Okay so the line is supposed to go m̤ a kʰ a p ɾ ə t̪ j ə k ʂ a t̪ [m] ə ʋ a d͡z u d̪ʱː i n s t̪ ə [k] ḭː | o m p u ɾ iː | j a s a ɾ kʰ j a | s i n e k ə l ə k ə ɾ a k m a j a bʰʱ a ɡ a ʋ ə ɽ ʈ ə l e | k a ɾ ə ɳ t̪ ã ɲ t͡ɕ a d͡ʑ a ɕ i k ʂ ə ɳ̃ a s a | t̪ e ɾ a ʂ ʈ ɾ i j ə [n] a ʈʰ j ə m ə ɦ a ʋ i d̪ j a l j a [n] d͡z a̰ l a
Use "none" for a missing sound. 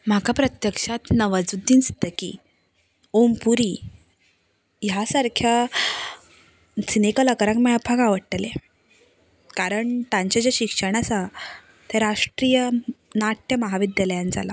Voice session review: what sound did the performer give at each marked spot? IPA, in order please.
n, k, n, n

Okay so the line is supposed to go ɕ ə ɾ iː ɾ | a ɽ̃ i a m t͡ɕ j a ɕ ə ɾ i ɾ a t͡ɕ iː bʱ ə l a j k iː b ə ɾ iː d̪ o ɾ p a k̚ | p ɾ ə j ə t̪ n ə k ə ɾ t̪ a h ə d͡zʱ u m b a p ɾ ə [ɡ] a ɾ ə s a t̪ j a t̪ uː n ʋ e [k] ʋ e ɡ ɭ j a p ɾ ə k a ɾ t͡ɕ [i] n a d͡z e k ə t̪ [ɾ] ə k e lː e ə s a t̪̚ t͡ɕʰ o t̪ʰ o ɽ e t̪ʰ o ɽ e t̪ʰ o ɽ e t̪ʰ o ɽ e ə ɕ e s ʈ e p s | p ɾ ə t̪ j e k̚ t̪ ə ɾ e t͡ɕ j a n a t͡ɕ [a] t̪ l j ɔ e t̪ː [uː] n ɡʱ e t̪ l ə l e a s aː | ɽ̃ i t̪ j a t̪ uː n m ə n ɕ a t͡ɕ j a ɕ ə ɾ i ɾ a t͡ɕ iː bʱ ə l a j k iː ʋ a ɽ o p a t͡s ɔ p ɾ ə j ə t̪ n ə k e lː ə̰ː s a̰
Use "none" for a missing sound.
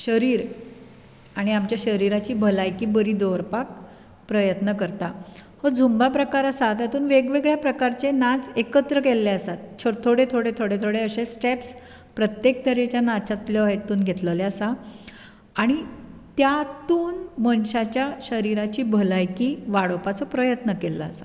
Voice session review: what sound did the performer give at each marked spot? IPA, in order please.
k, ɡ, e, ɾ, a, uː

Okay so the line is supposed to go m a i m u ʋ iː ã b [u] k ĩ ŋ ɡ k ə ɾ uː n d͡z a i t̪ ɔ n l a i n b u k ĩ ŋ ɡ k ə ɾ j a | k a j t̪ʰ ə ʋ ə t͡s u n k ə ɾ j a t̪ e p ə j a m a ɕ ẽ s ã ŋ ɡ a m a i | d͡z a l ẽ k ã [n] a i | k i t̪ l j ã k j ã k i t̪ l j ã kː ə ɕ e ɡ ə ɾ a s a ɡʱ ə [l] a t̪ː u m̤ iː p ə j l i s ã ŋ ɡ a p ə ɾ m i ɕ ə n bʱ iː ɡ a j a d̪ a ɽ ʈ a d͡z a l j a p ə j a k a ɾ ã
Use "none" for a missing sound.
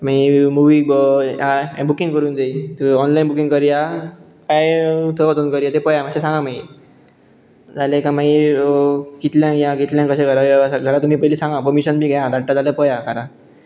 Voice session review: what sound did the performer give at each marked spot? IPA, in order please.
u, m, ɾ

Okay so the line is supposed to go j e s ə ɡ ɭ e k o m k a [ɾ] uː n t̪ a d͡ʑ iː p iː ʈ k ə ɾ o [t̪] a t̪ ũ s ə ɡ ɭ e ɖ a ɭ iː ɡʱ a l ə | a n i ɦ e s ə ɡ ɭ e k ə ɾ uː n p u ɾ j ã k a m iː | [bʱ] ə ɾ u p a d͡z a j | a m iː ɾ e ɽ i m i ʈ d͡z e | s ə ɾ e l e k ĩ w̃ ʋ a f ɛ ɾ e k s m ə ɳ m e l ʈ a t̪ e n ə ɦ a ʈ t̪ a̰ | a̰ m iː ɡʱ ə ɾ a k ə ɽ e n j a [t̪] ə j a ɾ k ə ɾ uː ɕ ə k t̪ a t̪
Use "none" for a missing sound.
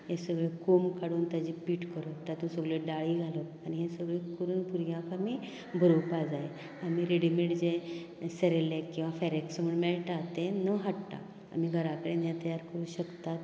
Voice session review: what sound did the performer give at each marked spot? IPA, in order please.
ɽ, t̪, bʱ, t̪

